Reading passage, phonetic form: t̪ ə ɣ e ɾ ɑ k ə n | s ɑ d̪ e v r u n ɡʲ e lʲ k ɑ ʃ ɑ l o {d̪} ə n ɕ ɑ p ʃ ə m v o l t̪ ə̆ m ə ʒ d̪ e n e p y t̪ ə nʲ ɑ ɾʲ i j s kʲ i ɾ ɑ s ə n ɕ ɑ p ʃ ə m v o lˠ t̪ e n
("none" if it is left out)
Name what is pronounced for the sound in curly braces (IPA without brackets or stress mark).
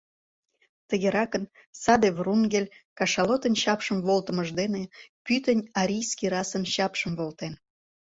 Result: t̪